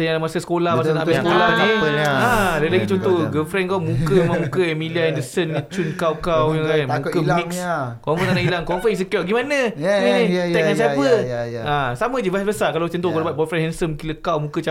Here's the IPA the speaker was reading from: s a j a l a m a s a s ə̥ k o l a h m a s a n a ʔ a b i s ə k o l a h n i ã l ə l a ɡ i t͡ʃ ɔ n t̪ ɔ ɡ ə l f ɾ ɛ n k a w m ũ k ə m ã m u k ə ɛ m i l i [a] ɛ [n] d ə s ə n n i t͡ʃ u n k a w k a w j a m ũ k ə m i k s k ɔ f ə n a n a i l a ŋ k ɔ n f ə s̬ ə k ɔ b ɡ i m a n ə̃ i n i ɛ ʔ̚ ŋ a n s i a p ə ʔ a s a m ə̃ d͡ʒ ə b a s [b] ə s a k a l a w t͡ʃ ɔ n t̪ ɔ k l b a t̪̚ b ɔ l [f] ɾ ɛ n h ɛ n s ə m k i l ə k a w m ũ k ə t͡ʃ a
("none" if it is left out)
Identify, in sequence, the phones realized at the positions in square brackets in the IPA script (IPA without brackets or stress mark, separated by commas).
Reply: a, n, b, f